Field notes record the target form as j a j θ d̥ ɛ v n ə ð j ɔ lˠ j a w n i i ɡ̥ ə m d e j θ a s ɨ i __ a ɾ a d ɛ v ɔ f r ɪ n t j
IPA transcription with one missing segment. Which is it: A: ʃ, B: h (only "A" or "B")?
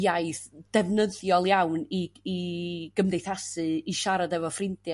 A